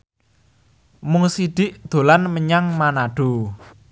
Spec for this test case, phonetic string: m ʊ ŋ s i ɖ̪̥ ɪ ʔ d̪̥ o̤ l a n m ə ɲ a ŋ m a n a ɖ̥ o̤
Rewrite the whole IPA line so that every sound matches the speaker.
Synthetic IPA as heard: m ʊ ŋ s i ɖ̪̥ ɪ ʔ d̪̥ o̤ l a n m ə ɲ a ŋ m a n a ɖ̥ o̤